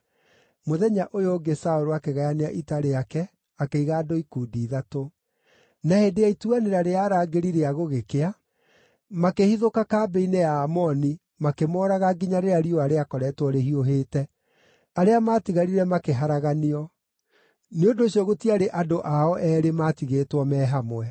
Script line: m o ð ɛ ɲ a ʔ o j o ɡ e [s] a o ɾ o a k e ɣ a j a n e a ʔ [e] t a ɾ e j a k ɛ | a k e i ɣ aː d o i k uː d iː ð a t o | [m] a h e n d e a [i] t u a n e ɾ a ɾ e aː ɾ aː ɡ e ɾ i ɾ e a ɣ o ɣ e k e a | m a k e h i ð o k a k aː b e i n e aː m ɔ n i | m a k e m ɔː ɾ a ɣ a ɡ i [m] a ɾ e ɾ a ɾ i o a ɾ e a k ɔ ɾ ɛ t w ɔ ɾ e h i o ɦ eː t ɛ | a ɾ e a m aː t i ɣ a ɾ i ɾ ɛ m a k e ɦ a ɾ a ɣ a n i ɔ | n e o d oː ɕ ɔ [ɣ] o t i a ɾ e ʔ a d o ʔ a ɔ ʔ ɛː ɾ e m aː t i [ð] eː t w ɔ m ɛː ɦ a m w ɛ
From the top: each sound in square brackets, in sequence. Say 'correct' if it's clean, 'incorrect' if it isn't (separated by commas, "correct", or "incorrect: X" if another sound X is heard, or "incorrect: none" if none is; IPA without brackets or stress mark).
correct, incorrect: i, incorrect: n, correct, incorrect: ɲ, correct, incorrect: ɣ